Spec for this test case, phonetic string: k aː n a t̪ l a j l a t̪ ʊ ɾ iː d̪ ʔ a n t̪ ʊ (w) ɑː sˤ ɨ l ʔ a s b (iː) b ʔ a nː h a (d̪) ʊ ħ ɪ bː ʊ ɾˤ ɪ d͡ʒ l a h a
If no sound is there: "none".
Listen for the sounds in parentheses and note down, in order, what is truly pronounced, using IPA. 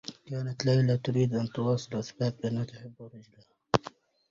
w, aː, t̪

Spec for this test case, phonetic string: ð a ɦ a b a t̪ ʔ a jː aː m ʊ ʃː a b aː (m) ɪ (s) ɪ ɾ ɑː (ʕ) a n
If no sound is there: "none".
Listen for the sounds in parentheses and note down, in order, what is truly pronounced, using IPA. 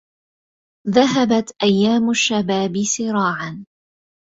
b, s, ʕ

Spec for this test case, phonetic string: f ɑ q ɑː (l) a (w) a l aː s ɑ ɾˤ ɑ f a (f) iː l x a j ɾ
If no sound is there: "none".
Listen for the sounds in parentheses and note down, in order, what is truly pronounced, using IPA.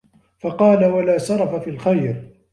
l, w, f

